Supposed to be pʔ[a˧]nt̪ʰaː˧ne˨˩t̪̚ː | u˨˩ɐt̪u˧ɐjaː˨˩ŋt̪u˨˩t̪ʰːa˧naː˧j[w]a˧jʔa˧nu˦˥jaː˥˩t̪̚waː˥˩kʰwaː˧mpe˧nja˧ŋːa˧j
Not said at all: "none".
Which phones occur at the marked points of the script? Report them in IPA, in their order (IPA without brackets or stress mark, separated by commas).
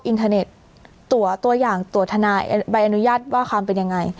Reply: i˧, b